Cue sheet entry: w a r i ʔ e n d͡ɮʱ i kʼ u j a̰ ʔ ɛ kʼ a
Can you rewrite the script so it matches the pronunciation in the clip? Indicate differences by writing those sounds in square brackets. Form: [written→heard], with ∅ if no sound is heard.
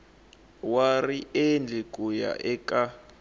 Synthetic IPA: w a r i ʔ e n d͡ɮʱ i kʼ u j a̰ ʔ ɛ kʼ a